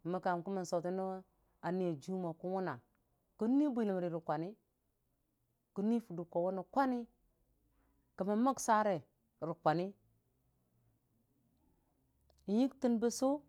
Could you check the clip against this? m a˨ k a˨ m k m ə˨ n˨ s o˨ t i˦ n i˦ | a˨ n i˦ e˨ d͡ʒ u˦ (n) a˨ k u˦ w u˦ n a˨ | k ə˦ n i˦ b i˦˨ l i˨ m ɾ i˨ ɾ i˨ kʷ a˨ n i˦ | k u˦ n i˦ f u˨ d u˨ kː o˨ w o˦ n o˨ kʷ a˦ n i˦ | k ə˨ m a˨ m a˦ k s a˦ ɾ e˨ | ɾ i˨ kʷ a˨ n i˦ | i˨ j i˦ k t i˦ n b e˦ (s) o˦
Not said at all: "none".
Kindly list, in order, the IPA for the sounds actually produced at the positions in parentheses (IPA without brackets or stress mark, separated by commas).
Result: m, s